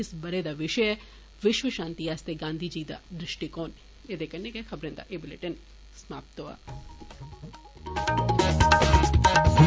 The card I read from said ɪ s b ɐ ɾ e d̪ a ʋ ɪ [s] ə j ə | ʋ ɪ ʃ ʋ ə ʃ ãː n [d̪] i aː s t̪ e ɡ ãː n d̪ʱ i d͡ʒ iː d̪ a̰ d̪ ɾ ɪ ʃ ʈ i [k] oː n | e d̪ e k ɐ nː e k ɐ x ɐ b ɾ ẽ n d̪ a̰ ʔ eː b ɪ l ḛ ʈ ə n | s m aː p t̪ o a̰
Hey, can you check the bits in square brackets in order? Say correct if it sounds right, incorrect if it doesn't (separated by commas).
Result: incorrect, incorrect, correct